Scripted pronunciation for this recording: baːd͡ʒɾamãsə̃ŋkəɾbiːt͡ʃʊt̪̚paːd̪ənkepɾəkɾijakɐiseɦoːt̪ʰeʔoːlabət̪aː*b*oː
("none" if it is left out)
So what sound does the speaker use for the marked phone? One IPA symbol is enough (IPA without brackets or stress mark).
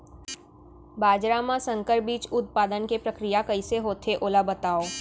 none